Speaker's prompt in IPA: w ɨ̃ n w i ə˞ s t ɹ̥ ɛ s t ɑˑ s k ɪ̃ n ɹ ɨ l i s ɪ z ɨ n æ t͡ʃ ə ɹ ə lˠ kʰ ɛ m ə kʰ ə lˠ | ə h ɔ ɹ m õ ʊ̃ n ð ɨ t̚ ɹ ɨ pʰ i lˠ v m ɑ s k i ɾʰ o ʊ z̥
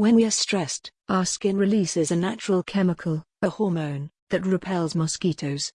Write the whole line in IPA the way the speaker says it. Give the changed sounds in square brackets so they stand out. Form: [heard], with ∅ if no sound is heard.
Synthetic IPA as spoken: w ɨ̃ n w i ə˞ s t ɹ̥ ɛ s t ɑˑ s k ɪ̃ n ɹ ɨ l i s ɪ z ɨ n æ t͡ʃ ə ɹ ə lˠ kʰ ɛ m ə kʰ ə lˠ | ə h ɔ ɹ m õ ʊ̃ n ð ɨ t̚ ɹ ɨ pʰ [ɛ] lˠ [z] m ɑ s k i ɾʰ o ʊ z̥